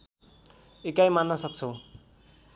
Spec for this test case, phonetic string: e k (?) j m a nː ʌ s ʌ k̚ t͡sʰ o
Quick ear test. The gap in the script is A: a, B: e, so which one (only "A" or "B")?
A